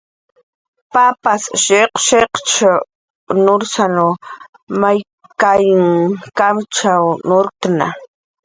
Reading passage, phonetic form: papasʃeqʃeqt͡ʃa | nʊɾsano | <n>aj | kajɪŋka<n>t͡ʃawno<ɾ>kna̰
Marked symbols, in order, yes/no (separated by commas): no, no, yes